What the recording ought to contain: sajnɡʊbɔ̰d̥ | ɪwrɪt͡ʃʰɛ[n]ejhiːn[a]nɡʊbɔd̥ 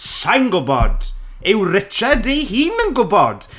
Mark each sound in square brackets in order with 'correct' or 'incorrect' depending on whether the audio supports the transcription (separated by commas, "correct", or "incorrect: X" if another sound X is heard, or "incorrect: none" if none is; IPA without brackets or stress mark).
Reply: incorrect: d, incorrect: ə